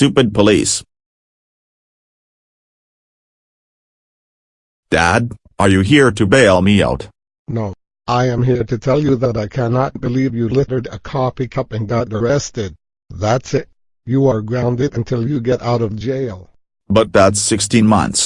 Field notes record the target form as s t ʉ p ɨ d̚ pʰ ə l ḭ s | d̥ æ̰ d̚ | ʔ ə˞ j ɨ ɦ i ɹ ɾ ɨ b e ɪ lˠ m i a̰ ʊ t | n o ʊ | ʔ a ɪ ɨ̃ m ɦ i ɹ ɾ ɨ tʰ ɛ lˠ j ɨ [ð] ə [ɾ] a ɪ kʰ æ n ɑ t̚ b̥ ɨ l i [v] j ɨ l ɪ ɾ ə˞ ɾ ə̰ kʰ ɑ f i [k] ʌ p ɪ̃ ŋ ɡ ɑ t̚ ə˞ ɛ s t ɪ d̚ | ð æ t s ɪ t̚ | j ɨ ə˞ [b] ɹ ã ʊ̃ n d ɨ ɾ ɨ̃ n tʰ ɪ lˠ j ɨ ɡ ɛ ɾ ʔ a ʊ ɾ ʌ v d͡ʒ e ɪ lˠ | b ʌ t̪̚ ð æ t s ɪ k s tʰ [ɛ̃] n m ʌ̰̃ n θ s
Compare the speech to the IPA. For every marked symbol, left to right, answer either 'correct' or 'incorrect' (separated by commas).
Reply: correct, correct, correct, incorrect, incorrect, incorrect